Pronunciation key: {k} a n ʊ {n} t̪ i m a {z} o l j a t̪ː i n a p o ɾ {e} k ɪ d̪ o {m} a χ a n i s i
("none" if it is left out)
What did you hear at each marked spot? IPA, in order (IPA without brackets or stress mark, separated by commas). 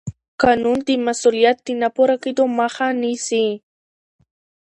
k, n, s, a, m